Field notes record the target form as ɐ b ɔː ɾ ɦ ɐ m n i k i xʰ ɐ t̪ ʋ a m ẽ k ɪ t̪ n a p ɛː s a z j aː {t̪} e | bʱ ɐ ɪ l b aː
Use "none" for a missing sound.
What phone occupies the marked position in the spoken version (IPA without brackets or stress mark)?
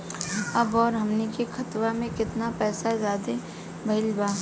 d̪